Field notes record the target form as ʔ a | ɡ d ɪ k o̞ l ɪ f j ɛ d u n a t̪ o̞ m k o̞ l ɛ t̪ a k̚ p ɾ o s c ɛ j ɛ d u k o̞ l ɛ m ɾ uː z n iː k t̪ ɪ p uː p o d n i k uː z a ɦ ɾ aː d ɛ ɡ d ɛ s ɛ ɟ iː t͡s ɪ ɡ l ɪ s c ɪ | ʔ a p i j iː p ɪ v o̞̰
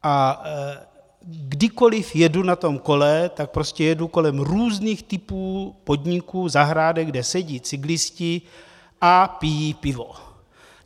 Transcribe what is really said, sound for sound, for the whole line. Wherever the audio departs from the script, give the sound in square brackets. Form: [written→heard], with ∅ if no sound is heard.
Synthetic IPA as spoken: ʔ a | ɡ d ɪ k o̞ l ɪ f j ɛ d u n a t̪ o̞ m k o̞ l ɛ t̪ a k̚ p ɾ o s c ɛ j ɛ d u k o̞ l ɛ m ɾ uː z n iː [k→x] t̪ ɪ p uː p o d [n→ɲ] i k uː z a ɦ ɾ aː d ɛ ɡ d ɛ s ɛ ɟ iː t͡s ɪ ɡ l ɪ s c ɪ | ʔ a p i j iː p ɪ v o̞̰

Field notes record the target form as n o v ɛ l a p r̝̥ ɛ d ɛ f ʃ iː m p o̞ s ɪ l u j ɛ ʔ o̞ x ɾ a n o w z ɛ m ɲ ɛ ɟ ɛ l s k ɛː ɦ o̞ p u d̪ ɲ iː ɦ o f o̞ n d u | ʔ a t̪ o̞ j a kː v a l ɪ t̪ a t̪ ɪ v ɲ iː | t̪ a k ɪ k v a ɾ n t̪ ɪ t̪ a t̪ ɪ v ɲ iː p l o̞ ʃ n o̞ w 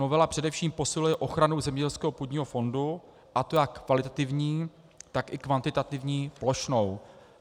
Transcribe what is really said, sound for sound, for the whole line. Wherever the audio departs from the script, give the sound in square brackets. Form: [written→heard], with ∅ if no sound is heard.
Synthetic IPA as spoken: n o v ɛ l a p r̝̥ ɛ d ɛ f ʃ iː m p o̞ s ɪ l u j ɛ ʔ o̞ x ɾ a n o w z ɛ m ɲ ɛ ɟ ɛ l s k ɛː ɦ o̞ p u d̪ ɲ iː ɦ o f o̞ n d u | ʔ a t̪ o̞ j a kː v a l ɪ t̪ a t̪ ɪ v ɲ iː | t̪ a k ɪ k v a [ɾ→∅] n t̪ ɪ t̪ a t̪ ɪ v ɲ iː p l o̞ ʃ n o̞ w

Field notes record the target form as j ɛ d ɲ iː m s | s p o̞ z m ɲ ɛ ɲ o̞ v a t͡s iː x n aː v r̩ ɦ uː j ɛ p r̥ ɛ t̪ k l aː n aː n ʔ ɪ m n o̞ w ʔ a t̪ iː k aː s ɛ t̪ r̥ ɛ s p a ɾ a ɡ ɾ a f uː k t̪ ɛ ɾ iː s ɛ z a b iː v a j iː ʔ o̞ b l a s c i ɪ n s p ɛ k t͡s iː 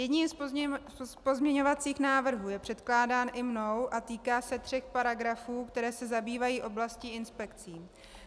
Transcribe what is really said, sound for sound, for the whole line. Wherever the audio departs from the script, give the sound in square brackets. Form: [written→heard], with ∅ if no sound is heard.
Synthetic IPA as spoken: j ɛ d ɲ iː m s | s p o̞ z m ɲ ɛ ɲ o̞ v a t͡s iː x n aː v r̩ ɦ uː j ɛ p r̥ ɛ t̪ k l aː [n→d] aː n ʔ ɪ m n o̞ w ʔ a t̪ iː k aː s ɛ t̪ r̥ ɛ [s→x] p a ɾ a ɡ ɾ a f uː k t̪ ɛ ɾ [iː→ɛː] s ɛ z a b iː v a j iː ʔ o̞ b l a s c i ɪ n s p ɛ k t͡s iː

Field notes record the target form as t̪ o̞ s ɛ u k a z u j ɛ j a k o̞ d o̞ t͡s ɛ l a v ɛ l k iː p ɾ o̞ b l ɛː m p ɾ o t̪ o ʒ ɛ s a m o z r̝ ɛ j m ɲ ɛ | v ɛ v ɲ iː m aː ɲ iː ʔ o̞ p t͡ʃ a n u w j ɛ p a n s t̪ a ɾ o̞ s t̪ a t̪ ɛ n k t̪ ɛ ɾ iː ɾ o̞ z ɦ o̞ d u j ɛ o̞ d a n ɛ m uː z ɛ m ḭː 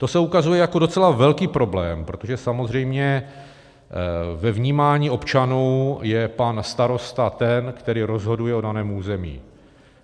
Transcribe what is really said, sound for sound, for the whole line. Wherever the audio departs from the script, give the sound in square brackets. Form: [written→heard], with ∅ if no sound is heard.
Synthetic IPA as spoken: t̪ o̞ s ɛ u k a z u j ɛ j a k o̞ d o̞ t͡s ɛ l a v ɛ l k iː p ɾ o̞ b l ɛː m p ɾ o t̪ o ʒ ɛ s a m o z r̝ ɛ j m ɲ ɛ | v ɛ v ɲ iː m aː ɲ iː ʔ o̞ p t͡ʃ a n u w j ɛ p a n s t̪ a ɾ o̞ s t̪ a t̪ ɛ n k t̪ ɛ ɾ iː ɾ o̞ z ɦ o̞ d u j ɛ o̞ d a n [ɛ→ɛː] m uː z ɛ m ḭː

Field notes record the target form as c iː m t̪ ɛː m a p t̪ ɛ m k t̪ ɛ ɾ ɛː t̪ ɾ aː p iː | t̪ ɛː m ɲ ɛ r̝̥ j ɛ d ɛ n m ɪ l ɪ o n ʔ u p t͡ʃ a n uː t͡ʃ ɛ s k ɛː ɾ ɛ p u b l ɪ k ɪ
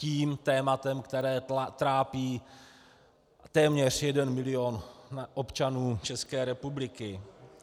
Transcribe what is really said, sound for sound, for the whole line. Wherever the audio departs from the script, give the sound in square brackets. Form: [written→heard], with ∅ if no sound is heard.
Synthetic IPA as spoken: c iː m t̪ ɛː m a [p→∅] t̪ ɛ m k t̪ ɛ ɾ ɛː t̪ ɾ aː p iː | t̪ ɛː m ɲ ɛ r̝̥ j ɛ d ɛ n m ɪ l ɪ o n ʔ [u→o] p t͡ʃ a n uː t͡ʃ ɛ s k ɛː ɾ ɛ p u b l ɪ k ɪ

